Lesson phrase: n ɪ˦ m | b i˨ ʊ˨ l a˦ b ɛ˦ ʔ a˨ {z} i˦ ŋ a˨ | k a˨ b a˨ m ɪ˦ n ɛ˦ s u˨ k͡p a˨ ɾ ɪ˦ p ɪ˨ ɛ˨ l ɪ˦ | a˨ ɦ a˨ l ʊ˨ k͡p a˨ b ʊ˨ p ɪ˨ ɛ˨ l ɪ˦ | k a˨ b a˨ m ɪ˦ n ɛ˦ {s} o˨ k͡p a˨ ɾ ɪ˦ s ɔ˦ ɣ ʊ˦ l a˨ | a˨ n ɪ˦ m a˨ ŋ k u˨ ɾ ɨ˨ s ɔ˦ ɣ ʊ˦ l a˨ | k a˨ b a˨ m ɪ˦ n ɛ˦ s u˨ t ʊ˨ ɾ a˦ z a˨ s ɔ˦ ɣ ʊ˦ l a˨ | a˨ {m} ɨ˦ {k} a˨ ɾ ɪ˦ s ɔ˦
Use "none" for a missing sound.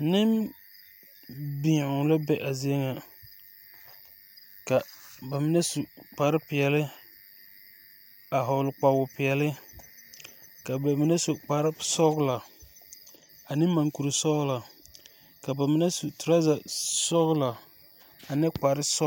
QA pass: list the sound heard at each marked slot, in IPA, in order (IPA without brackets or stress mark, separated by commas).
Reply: z, s, n, k͡p